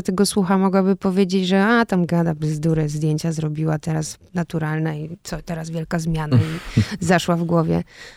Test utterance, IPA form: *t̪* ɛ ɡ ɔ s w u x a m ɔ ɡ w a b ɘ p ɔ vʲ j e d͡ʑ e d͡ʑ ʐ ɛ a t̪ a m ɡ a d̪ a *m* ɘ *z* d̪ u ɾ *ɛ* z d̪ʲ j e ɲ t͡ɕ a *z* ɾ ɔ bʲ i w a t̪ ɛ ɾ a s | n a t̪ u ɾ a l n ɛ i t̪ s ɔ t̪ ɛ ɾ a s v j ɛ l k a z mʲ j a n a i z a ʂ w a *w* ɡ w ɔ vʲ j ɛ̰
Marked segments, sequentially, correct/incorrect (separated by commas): correct, incorrect, correct, correct, correct, incorrect